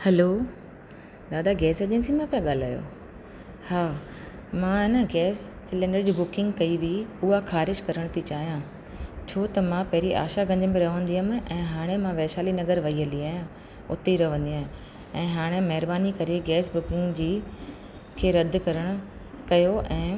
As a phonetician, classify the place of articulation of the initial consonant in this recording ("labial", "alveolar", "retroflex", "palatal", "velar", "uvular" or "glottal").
glottal